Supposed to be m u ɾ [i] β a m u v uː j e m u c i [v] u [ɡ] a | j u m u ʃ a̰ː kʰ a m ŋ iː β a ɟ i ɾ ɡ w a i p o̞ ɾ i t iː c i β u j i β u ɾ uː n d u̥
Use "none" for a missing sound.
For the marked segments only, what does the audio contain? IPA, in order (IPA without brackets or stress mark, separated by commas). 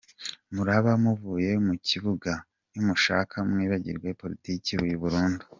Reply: a, β, ɡ